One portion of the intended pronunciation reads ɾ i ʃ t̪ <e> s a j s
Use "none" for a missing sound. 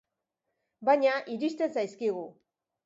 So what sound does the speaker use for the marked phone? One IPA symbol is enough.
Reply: e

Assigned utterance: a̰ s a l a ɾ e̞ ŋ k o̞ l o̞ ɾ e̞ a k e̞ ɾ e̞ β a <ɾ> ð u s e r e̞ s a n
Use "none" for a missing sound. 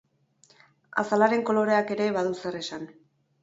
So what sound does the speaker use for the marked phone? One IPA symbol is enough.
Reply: none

